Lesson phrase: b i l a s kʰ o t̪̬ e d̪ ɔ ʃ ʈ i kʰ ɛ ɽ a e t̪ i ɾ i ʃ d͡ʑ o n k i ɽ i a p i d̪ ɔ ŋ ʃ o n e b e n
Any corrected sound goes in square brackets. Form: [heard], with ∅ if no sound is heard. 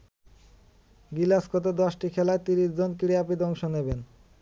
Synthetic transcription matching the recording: [ɡ] i l a s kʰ o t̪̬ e d̪ ɔ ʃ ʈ i kʰ ɛ [l] a e t̪ i ɾ i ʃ d͡ʑ o n k i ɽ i a p i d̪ ɔ ŋ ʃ o n e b e n